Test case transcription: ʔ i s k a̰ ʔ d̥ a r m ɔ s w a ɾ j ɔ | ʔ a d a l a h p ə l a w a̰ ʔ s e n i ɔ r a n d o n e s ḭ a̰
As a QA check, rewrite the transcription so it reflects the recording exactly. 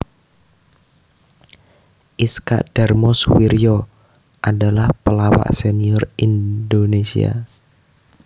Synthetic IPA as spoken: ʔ i s k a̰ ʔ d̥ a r m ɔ s w i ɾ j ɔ | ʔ a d a l a h p ə l a w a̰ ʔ s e n i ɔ r i n d o n e s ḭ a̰

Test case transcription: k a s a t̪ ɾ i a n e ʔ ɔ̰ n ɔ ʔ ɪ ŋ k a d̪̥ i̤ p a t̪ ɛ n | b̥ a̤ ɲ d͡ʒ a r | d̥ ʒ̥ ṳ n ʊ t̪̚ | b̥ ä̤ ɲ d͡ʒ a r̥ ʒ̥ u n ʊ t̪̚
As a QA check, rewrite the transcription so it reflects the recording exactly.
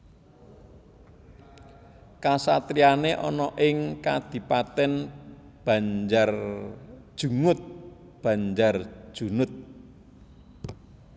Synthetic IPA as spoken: k a s a t̪ ɾ i a n e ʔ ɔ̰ n ɔ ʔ ɪ ŋ k a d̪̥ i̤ p a t̪ ɛ n | b̥ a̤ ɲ d͡ʒ a r | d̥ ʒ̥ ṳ ŋ ʊ t̪̚ | b̥ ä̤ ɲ d͡ʒ a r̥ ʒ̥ u n ʊ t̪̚

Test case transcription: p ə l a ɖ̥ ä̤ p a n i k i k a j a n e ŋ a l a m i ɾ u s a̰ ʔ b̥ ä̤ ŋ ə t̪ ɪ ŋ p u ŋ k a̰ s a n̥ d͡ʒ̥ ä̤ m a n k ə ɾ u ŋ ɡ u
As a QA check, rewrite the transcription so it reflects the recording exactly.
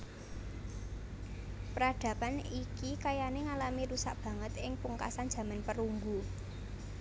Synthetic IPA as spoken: p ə ɾ a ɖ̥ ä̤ p a n i k i k a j a n e ŋ a l a m i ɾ u s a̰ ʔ b̥ ä̤ ŋ ə t̪ ɪ ŋ p u ŋ k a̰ s a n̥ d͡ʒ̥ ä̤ m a n p ə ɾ u ŋ ɡ u

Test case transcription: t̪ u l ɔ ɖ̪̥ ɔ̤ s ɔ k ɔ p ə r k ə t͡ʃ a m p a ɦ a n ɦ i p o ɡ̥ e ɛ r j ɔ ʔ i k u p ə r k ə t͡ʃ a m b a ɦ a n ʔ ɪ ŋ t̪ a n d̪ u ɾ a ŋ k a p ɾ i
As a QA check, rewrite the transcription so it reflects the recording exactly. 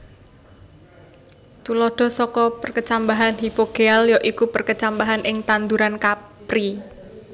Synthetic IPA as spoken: t̪ u l ɔ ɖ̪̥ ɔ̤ s ɔ k ɔ p ə r k ə t͡ʃ a m b a ɦ a n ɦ i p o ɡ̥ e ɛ l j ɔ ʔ i k u p ə r k ə t͡ʃ a m b a ɦ a n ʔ ɪ ŋ t̪ a n d̪ u ɾ a n k a p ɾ i

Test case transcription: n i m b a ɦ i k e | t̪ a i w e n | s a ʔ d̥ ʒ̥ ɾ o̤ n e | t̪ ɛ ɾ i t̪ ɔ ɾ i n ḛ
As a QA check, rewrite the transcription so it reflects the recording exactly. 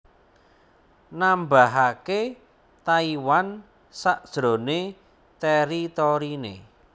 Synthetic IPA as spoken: n a m b a ɦ a k e | t̪ a i w a n | s a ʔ d̥ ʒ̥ ɾ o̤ n e | t̪ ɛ ɾ i t̪ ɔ ɾ i n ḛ

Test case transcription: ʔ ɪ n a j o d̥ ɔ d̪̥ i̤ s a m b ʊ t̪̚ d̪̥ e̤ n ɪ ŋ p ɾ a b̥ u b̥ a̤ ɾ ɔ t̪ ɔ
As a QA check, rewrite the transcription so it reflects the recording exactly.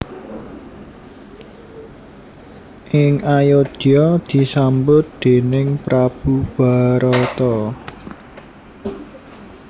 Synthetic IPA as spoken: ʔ ɪ ŋ a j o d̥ ɔ d̪̥ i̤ s a m b ʊ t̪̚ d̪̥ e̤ n ɪ ŋ p ɾ a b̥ u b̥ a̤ ɾ ɔ t̪ ɔ

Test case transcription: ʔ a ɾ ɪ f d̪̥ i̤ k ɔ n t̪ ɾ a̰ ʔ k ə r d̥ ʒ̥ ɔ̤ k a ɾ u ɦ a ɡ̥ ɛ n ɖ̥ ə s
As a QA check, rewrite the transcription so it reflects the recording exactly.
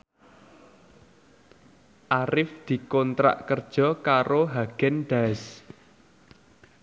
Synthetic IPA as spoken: ʔ a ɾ ɪ f d̪̥ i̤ k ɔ n t̪ ɾ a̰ ʔ k ə r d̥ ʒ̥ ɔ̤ k a ɾ o ɦ a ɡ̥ ɛ n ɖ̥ a s

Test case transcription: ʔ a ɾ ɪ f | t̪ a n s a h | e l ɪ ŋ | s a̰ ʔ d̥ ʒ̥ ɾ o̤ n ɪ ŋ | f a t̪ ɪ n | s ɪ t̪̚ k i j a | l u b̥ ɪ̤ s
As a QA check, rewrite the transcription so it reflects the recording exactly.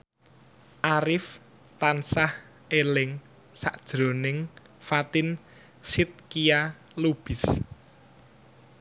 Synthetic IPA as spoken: ʔ a ɾ ɪ f | t̪ a n s a h | e l ɪ ŋ | s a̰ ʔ d̥ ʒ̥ ɾ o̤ n ɪ ŋ | f a t̪ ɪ n | s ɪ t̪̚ k i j a | l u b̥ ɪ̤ s

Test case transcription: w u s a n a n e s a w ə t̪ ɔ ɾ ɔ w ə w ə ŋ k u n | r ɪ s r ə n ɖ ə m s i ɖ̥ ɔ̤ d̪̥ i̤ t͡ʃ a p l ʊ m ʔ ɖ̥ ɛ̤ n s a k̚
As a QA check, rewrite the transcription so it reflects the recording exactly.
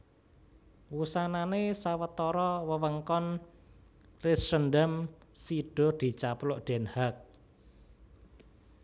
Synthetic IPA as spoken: w u s a n a n e s a w ə t̪ ɔ ɾ ɔ w ə w ə ŋ k ɔ n | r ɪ s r ə n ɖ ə m s i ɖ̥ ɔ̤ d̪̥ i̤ t͡ʃ a p l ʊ ʔ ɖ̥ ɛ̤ n h a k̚

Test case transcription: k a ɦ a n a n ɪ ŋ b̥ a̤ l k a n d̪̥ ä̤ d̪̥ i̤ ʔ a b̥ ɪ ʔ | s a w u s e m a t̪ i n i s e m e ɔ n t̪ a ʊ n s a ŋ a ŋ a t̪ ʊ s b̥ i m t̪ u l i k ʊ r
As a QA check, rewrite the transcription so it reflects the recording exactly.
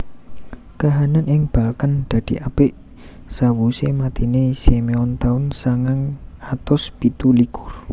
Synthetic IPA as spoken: k a ɦ a n a n ɪ ŋ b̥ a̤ l k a n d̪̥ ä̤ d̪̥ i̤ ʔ a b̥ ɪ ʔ | s a w u s e m a t̪ i n e s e m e ɔ n t̪ a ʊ n s a ŋ a ŋ a t̪ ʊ s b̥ i t̪ u l i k ʊ r

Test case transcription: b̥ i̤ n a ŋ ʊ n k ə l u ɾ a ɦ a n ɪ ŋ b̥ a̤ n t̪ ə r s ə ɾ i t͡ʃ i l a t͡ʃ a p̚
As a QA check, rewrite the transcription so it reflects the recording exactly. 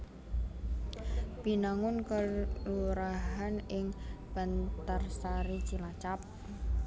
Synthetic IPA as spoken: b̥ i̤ n a ŋ ʊ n k ə l u ɾ a ɦ a n ɪ ŋ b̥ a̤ n t̪ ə r s a ɾ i t͡ʃ i l a t͡ʃ a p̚

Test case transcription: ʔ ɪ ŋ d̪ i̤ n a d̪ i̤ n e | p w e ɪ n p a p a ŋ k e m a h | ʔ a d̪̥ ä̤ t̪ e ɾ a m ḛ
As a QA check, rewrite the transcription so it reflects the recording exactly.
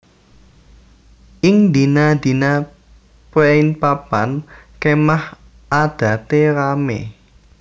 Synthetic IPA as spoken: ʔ ɪ ŋ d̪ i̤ n a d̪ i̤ n a | p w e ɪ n p a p a n k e m a h | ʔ a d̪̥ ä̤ t̪ e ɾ a m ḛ

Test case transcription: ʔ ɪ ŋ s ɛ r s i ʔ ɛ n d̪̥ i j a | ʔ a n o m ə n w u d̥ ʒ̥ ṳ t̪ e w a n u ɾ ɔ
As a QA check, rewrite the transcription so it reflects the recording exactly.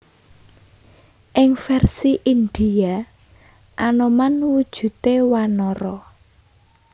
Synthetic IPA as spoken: ʔ ɪ ŋ f ɛ r s i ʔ i n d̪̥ i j a | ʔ a n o m a n w u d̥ ʒ̥ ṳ t̪ e w a n ɔ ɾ ɔ

